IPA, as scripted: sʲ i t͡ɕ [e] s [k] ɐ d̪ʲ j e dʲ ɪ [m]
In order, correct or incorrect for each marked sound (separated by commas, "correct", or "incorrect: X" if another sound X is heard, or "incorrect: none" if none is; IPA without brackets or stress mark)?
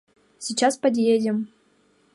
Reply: incorrect: a, incorrect: p, correct